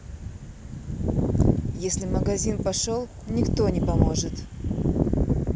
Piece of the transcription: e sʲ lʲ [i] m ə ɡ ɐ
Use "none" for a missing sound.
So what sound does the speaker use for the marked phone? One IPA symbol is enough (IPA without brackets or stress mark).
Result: ɪ